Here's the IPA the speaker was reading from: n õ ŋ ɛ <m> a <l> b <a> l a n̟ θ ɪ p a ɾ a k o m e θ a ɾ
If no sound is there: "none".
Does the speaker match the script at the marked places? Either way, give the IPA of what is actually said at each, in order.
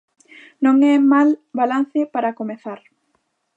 m, l, a

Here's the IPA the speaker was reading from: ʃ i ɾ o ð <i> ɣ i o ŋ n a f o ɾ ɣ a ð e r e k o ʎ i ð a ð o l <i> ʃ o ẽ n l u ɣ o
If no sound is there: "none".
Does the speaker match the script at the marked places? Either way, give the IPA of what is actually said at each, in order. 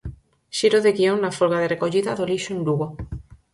e, i

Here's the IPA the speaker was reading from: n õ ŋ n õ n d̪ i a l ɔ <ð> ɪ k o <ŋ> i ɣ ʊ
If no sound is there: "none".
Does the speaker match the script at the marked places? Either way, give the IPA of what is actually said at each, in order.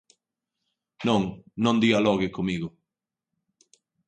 ɣ, m

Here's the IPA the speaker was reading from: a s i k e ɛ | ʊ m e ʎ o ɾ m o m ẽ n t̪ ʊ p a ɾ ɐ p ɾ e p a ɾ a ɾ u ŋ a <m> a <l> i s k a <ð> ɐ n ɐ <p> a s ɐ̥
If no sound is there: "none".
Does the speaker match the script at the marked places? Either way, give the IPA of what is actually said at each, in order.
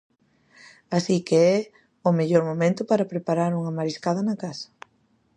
m, ɾ, ð, k

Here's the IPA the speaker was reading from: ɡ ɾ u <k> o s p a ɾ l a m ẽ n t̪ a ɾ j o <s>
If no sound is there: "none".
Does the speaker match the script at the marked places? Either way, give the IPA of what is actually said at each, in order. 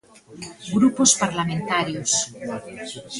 p, s

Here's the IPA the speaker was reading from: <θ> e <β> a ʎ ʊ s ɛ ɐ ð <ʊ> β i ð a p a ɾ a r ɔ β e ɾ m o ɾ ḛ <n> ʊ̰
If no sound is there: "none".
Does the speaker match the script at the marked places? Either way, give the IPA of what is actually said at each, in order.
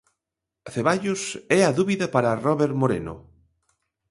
θ, β, u, n

